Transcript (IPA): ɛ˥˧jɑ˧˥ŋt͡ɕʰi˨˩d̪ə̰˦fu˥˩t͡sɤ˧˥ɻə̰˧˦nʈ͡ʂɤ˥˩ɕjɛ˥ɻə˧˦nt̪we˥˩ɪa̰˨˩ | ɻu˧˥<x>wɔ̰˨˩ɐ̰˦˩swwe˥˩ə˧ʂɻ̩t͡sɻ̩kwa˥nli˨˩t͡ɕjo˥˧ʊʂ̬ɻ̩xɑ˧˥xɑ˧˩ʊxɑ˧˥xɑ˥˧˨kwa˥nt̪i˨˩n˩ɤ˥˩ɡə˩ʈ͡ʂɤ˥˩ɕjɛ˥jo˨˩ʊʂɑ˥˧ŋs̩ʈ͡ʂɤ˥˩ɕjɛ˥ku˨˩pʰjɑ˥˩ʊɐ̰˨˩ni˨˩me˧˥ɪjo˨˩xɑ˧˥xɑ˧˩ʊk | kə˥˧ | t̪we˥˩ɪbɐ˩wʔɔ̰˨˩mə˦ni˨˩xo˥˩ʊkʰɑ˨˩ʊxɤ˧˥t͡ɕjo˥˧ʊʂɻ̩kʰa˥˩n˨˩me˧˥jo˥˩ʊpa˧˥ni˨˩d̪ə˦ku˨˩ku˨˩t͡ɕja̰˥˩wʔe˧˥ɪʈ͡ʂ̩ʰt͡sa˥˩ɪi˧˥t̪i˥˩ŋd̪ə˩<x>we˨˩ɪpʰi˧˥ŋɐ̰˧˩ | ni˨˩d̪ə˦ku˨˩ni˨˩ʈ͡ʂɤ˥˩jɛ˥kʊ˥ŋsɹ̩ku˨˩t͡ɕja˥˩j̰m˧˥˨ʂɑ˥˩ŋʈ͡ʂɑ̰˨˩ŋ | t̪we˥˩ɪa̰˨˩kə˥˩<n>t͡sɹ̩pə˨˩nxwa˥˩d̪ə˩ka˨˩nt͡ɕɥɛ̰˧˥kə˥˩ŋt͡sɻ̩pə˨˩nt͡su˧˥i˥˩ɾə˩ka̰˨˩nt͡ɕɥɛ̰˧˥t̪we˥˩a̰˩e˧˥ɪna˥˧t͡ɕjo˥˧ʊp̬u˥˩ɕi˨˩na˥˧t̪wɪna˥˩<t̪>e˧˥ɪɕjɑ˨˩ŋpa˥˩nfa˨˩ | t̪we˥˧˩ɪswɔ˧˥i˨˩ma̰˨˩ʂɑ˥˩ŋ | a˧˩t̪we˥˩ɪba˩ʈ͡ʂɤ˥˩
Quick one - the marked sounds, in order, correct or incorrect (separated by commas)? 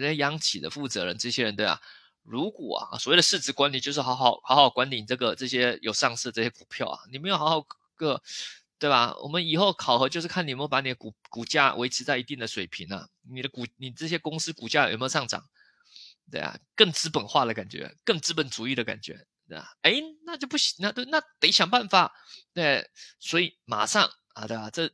incorrect, incorrect, incorrect, correct